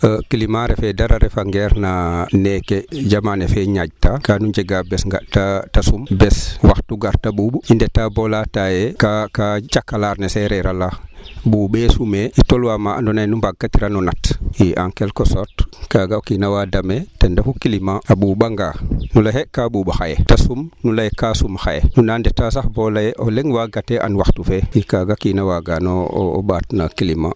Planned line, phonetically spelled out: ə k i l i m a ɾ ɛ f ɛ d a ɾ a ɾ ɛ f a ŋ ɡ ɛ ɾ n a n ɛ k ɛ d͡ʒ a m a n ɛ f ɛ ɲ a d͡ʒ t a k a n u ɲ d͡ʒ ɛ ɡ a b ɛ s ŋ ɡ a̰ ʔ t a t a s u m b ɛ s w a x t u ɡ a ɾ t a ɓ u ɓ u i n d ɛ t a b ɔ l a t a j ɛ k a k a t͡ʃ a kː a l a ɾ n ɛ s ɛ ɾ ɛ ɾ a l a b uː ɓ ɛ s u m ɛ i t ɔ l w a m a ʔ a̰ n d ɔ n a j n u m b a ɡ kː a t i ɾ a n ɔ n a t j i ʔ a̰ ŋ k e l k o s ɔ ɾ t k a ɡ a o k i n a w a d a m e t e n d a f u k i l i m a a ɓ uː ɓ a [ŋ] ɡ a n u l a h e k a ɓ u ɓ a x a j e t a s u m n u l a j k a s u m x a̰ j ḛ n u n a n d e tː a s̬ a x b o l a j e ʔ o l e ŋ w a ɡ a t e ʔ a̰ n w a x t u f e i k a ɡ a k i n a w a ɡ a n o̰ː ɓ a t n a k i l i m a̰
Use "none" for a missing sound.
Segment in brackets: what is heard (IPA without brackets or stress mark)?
ŋ